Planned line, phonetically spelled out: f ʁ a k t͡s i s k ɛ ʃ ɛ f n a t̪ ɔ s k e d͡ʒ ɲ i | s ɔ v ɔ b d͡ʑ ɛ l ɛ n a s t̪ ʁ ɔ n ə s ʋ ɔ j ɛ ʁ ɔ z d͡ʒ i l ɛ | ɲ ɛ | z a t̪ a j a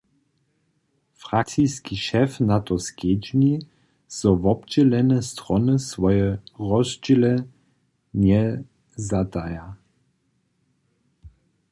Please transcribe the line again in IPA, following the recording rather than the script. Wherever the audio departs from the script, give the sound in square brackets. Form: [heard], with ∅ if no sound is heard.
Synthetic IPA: f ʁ a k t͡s i s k [i] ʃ ɛ f n a t̪ ɔ s k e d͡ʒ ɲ i | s ɔ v ɔ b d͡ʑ ɛ l ɛ n [ɛ] s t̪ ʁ ɔ n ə s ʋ ɔ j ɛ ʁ ɔ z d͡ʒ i l ɛ | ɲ ɛ | z a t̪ a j a